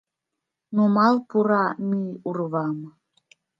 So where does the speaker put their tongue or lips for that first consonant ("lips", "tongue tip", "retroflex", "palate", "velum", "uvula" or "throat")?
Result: tongue tip